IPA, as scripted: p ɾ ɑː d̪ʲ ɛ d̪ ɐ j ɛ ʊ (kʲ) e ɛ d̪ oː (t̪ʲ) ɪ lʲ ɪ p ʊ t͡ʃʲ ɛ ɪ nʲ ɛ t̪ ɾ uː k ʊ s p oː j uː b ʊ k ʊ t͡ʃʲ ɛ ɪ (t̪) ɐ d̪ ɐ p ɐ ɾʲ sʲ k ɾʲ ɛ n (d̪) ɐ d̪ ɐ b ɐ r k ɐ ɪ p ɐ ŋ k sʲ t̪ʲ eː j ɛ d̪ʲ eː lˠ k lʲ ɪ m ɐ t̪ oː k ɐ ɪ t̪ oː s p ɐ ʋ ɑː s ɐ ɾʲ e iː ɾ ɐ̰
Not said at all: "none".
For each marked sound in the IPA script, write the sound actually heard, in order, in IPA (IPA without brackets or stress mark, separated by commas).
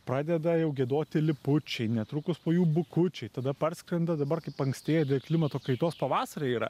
ɡʲ, t̪ʲ, t̪, d̪